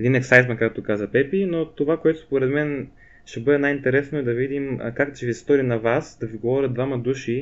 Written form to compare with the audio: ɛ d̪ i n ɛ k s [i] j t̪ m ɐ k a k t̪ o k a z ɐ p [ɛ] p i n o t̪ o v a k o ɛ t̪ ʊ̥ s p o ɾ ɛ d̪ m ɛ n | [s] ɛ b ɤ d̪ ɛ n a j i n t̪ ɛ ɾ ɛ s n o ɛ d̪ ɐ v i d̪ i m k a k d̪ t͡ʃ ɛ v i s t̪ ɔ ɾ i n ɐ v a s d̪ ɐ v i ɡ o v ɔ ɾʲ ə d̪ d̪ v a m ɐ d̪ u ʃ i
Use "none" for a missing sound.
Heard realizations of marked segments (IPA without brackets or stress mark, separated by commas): a, ɛ, ʃ